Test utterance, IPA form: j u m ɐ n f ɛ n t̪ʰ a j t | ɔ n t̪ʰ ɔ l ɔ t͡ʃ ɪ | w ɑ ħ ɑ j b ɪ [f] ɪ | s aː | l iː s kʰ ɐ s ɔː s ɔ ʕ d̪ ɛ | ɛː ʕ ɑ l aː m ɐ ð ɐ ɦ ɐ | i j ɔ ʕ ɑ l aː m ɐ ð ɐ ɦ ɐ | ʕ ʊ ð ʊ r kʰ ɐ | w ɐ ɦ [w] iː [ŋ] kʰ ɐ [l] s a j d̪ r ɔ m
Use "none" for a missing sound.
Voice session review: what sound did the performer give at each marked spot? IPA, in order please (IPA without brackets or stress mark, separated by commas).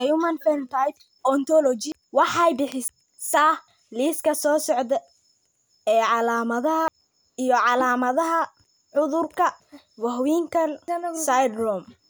ħ, w, ŋ, l